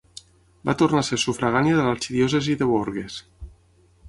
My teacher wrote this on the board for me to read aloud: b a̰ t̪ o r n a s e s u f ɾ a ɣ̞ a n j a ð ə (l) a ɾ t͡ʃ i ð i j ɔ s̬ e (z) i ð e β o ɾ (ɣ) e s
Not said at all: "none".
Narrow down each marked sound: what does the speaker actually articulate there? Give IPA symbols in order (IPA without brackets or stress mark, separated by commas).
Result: l, z, ɣ